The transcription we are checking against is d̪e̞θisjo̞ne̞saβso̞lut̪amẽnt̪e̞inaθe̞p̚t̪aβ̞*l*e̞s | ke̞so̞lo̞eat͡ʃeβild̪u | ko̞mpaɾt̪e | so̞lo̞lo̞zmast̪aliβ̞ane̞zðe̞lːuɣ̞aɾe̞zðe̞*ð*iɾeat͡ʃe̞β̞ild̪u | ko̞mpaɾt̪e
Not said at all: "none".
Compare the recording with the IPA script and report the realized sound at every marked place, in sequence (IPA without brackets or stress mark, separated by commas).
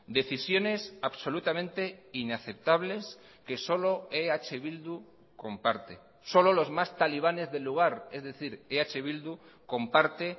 l, θ